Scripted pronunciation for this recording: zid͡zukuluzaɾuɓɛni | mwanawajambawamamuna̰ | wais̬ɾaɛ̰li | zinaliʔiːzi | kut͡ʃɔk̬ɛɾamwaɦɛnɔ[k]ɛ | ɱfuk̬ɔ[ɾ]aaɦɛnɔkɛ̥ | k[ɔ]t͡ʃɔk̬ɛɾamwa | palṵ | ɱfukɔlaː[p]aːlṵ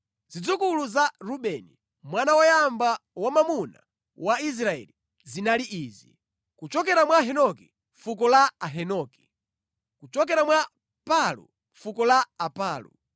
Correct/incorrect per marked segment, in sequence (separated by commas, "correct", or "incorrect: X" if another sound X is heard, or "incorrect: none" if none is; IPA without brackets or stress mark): correct, incorrect: l, incorrect: u, correct